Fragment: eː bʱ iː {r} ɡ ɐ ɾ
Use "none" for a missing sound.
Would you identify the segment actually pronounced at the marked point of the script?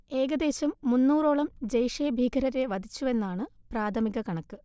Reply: none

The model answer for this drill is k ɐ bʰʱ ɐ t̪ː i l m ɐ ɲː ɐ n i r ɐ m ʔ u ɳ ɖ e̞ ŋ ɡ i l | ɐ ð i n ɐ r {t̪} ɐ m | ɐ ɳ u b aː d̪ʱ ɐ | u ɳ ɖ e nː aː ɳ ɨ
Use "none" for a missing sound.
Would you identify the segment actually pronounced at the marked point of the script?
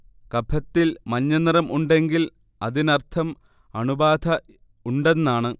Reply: t̪ʰ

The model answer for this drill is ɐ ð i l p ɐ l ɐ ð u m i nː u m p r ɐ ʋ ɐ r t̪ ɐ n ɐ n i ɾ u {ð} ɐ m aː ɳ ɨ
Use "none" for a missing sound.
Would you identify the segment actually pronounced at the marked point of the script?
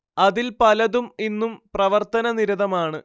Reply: ð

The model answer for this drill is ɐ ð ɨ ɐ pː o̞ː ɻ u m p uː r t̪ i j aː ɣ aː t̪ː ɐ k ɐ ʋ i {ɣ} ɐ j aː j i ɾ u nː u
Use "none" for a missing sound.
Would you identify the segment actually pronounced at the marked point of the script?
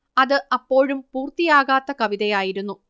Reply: ð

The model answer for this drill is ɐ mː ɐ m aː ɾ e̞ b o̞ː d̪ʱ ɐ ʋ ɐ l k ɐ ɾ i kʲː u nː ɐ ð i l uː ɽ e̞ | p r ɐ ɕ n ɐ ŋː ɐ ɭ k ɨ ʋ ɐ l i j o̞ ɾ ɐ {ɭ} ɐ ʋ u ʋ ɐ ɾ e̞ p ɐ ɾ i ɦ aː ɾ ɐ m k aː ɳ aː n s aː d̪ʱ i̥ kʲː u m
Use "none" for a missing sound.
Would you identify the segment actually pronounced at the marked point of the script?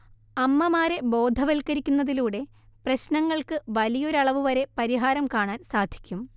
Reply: ɭ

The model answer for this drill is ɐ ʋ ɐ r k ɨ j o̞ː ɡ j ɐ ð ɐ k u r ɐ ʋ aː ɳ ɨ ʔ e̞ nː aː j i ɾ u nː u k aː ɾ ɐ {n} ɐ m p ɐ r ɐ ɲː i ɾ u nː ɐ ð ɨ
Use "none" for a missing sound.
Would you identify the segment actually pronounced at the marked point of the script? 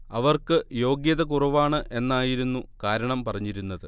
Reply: ɳ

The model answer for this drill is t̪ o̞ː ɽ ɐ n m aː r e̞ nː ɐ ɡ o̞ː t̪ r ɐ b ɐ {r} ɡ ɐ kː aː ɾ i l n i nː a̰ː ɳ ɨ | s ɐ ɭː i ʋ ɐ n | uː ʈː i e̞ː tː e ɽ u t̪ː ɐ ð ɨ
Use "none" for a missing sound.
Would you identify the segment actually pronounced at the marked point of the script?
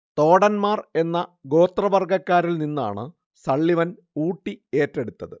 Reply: r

